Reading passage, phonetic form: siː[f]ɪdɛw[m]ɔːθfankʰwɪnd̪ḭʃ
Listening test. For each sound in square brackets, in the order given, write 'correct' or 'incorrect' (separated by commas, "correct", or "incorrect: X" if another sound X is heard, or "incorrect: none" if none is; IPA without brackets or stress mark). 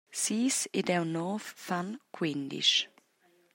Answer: incorrect: s, incorrect: n